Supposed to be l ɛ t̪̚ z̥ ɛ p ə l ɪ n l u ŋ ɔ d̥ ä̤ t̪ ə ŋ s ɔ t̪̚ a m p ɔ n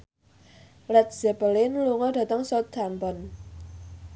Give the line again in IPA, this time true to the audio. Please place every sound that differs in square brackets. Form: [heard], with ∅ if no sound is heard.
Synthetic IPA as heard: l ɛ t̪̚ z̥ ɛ p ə l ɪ n l u ŋ ɔ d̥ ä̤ t̪ ə ŋ s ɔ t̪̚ a m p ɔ n